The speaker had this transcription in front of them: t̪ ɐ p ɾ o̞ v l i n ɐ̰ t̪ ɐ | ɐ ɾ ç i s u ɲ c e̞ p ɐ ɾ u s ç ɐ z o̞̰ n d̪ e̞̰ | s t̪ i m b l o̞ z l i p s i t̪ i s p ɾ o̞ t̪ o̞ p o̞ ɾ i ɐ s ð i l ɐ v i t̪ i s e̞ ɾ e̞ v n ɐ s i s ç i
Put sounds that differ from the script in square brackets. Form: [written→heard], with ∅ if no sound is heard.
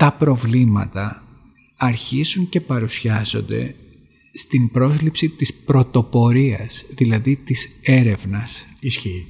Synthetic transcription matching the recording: t̪ ɐ p ɾ o̞ v l i [n→m] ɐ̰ t̪ ɐ | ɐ ɾ ç i [s→z] u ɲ c e̞ p ɐ ɾ u s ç ɐ z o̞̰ n d̪ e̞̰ | s t̪ i m b [l→ɾ] o̞ z l i p s i t̪ i s p ɾ o̞ t̪ o̞ p o̞ ɾ i ɐ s ð i l ɐ [v→ð] i t̪ i s e̞ ɾ e̞ v n ɐ s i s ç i